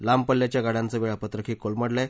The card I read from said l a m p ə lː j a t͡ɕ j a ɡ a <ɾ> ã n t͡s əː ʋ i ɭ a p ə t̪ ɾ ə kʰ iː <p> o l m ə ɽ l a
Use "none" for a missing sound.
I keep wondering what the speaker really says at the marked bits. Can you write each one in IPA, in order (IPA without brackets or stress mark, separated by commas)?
ɽ, k